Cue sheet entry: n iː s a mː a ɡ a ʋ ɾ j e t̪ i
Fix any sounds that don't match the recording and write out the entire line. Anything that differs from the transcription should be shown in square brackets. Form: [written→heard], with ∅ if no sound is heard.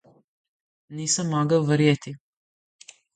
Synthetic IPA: n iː s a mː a ɡ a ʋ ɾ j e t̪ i